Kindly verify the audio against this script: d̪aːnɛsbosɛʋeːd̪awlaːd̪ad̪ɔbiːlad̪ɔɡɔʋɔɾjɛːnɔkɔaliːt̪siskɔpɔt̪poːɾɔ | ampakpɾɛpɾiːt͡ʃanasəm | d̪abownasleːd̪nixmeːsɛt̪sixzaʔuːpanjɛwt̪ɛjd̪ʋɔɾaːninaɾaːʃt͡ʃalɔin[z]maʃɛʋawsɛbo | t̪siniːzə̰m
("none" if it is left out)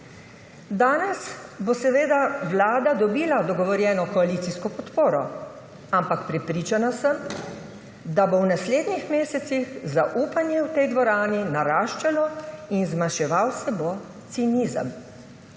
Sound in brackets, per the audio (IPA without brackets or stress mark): z